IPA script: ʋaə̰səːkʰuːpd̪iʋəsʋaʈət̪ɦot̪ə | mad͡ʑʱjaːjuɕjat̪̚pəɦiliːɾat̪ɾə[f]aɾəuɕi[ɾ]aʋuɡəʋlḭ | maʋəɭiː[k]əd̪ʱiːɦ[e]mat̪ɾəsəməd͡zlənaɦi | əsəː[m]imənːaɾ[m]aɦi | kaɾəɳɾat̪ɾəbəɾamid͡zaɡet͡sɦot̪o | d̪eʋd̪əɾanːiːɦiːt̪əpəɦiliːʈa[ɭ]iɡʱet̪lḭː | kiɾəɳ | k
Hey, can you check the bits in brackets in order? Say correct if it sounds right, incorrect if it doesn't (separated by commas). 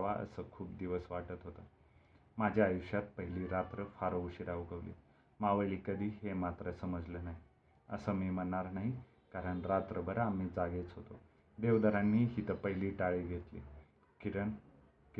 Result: correct, correct, correct, correct, correct, incorrect, correct